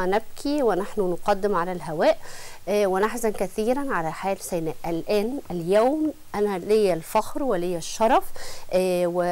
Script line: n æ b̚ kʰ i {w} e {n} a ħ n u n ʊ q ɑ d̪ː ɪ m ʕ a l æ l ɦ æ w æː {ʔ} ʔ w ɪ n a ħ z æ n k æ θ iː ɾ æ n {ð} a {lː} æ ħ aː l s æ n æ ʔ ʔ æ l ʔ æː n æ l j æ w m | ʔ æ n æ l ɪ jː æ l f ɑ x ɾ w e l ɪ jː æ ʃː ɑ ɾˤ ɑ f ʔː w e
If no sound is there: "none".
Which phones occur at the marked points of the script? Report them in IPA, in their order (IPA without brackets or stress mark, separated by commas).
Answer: w, n, ʔ, ʕ, l